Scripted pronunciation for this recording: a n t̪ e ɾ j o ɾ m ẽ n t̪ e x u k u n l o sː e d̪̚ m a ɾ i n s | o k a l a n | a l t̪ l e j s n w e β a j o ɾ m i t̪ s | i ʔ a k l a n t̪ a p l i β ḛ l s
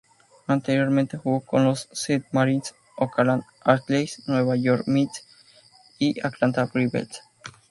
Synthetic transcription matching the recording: a n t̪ e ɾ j o ɾ m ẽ n t̪ e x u k o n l o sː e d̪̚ m a ɾ i n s | o k a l a n | a ɾ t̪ l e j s n w e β a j o ɾ m i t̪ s | i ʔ a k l a n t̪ a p ɾ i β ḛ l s